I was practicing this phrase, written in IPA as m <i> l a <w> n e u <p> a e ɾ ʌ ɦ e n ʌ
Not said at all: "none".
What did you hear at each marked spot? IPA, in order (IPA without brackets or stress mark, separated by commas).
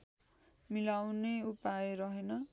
i, w, p